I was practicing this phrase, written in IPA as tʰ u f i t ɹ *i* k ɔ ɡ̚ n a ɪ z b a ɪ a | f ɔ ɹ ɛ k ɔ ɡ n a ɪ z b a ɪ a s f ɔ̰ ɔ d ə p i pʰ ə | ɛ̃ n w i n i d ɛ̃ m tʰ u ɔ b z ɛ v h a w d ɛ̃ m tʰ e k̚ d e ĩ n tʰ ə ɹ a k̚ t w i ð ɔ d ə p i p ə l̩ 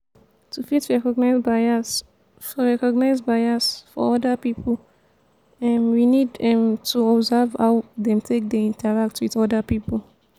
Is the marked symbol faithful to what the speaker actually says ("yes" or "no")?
no